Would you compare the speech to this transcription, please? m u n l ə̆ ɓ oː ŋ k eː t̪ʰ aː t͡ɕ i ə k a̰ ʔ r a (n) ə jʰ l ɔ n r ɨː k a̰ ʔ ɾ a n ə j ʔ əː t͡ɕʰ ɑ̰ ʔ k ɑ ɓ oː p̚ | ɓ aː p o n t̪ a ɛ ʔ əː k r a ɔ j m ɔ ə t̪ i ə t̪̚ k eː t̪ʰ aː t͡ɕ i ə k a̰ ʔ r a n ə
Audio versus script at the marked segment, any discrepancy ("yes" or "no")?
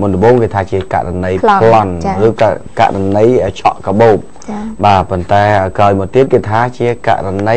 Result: no